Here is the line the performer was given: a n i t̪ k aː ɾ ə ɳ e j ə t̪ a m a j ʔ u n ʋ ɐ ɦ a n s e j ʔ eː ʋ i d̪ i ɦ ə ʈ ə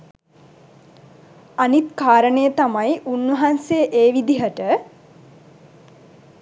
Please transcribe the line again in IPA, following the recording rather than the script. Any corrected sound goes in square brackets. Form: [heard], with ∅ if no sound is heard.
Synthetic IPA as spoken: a n i t̪ k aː ɾ ə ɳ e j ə t̪ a m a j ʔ u n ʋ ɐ ɦ a n s e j ʔ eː ʋ i d̪ i ɦ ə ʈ ə